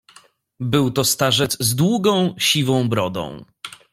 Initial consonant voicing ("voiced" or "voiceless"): voiced